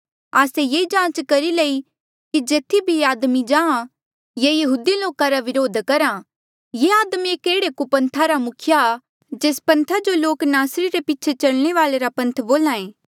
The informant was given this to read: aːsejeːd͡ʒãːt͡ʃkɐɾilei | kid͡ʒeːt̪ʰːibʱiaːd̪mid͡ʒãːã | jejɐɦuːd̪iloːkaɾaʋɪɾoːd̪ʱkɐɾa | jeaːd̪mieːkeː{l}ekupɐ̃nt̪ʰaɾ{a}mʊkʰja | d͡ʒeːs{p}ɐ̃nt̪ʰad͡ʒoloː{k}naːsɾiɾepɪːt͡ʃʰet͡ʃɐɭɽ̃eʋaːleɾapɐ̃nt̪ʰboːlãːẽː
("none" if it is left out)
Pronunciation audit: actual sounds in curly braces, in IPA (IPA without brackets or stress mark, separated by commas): ɽ, a, p, k